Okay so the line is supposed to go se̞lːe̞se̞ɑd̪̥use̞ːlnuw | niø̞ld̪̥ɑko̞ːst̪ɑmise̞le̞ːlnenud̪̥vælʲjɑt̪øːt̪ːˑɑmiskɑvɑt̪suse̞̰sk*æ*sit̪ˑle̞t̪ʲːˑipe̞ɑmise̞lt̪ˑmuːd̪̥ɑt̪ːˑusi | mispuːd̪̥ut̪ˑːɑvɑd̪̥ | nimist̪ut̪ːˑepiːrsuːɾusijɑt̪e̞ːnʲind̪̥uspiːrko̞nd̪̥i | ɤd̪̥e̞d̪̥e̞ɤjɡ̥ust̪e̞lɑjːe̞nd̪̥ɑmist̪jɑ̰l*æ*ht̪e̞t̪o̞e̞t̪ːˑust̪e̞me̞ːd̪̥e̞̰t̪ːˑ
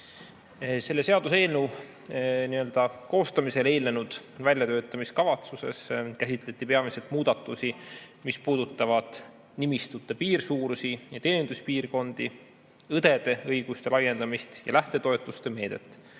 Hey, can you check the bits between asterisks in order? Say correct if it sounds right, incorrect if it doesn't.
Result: correct, correct

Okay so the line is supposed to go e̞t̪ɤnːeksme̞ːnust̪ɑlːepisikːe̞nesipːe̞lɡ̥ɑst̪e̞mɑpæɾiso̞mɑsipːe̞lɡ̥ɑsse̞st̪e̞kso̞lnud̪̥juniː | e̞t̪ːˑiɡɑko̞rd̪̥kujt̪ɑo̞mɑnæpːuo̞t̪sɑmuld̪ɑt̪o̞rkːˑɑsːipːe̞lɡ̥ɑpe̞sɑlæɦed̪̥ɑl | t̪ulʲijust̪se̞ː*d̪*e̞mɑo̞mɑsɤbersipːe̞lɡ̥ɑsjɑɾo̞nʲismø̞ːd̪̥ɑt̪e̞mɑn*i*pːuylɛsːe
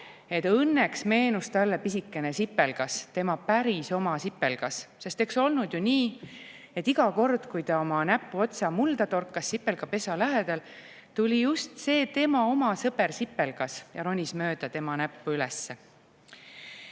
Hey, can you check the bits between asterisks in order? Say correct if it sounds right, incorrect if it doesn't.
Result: incorrect, incorrect

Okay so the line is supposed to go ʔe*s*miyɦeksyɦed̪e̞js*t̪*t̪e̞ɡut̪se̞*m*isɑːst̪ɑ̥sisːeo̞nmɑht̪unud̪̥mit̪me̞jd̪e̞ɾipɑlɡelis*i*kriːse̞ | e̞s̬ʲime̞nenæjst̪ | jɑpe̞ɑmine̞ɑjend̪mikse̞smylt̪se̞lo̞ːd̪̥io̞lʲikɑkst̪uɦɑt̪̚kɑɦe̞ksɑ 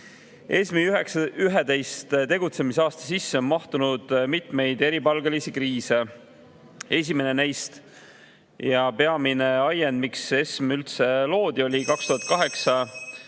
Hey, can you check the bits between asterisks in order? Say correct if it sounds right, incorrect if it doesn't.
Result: correct, correct, correct, correct

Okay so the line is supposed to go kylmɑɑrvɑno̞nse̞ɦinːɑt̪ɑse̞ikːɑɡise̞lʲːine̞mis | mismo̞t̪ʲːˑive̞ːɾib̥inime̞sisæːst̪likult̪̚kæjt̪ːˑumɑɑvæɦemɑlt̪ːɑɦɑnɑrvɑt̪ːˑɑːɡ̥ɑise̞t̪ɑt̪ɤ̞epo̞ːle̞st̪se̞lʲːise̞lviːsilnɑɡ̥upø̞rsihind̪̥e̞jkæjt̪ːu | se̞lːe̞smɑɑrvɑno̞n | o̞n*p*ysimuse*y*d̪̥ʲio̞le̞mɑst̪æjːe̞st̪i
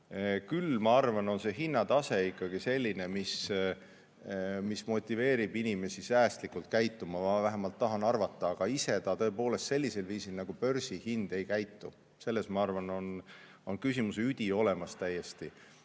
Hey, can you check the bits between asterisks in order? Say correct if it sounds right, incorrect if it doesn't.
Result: incorrect, correct

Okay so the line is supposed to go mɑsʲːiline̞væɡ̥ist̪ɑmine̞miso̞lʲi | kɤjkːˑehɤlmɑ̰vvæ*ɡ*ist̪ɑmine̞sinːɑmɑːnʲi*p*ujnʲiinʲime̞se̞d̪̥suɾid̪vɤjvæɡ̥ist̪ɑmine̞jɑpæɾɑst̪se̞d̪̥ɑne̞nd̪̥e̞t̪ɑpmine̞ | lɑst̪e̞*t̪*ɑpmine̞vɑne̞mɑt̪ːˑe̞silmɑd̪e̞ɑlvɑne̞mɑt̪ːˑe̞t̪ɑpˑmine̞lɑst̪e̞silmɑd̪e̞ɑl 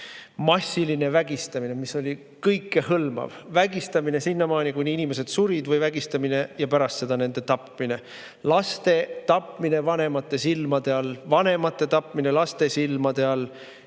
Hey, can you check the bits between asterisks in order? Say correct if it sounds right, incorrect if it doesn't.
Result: correct, incorrect, correct

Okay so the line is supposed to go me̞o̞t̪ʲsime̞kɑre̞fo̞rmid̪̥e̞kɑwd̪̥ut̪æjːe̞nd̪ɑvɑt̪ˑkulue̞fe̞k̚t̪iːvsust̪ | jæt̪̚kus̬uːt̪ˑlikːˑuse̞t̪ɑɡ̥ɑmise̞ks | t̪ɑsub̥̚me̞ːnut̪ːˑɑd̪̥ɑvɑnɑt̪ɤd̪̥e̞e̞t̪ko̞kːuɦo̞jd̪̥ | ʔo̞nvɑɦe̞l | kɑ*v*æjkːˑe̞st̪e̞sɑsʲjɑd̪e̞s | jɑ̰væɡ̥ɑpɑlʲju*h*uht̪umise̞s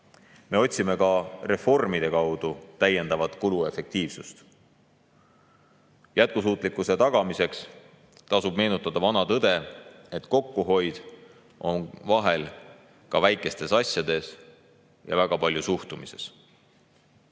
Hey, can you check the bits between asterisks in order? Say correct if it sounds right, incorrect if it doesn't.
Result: correct, incorrect

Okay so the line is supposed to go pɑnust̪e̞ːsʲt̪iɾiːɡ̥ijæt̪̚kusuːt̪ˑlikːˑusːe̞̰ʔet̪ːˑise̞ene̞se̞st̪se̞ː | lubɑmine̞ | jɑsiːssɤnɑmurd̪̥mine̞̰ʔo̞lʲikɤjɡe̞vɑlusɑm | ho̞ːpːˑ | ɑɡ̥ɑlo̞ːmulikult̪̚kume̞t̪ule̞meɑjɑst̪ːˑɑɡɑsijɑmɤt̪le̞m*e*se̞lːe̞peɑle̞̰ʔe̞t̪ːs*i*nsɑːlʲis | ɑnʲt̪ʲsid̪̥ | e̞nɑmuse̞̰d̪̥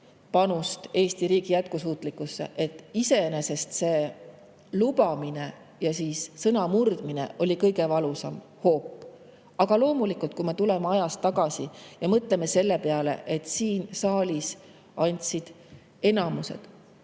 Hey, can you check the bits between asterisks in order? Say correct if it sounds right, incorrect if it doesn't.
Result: correct, incorrect

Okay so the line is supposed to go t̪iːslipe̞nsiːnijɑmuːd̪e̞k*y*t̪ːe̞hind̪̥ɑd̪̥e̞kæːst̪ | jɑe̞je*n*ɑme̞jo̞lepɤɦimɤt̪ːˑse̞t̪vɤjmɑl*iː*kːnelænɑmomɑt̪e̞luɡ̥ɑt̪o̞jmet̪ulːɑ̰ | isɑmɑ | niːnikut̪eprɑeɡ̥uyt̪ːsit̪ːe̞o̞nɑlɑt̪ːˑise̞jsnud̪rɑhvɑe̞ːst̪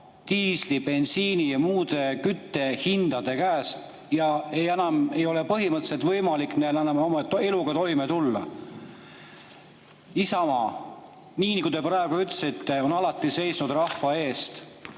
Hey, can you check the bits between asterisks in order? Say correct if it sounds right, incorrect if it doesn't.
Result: correct, correct, incorrect

